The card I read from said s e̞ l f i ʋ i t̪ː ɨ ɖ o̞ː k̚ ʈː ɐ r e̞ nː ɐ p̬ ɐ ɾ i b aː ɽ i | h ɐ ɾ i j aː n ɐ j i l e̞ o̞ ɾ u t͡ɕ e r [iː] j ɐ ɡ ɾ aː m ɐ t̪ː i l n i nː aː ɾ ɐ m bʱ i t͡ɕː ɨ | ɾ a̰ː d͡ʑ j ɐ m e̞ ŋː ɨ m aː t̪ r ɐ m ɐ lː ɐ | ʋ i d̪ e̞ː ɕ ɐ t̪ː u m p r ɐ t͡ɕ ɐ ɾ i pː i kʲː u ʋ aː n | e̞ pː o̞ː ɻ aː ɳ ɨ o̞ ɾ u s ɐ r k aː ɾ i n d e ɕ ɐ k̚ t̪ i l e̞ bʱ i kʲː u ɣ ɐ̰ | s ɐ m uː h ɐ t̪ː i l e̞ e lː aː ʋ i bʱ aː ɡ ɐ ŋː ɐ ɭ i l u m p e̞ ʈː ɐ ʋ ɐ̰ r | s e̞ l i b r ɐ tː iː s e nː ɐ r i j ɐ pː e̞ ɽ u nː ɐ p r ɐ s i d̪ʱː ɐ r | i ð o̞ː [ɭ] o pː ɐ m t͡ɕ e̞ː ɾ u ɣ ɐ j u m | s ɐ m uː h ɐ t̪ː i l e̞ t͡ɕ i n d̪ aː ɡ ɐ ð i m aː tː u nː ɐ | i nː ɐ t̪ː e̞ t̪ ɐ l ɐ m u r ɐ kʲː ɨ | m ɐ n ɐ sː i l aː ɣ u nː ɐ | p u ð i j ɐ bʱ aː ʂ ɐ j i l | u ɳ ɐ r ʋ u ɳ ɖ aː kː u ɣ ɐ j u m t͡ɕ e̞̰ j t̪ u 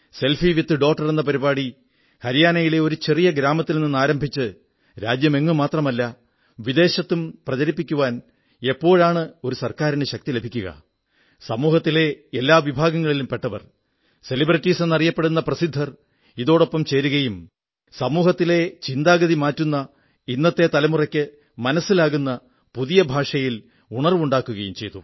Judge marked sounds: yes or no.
no, no

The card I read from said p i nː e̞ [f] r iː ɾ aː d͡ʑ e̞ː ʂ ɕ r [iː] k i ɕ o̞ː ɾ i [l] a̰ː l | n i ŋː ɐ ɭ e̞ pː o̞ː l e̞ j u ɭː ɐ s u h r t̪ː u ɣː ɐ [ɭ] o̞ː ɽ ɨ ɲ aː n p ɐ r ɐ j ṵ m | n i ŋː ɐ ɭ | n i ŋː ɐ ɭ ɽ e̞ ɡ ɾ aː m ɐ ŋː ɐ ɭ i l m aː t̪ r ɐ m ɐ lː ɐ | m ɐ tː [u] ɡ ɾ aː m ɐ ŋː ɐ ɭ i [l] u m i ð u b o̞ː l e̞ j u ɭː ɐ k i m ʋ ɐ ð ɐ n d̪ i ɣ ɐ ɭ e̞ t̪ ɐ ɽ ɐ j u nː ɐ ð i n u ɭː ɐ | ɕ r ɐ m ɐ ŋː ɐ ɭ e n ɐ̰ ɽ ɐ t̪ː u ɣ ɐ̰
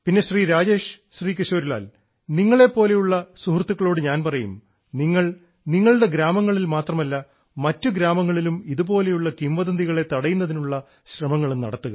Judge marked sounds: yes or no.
no, yes, yes, yes, yes, yes

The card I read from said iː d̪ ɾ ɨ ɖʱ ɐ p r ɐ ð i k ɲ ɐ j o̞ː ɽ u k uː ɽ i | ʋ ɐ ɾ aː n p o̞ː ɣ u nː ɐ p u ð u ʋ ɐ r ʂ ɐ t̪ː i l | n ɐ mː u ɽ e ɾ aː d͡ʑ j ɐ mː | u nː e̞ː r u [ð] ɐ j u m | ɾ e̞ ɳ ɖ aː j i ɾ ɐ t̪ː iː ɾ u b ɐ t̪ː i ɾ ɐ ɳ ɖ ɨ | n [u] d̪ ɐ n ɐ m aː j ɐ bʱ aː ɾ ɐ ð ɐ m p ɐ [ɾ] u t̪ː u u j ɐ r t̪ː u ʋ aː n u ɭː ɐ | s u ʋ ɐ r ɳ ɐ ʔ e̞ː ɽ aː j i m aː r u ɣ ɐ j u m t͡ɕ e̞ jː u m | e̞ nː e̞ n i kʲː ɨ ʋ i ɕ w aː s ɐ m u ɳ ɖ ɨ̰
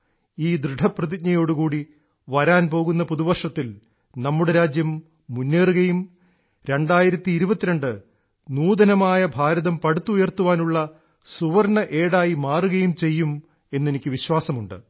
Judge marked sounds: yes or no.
no, no, no

